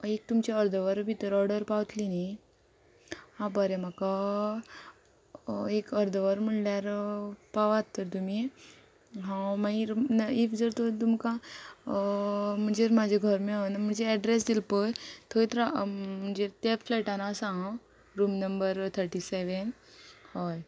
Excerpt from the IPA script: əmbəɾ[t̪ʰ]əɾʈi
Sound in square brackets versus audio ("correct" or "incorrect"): correct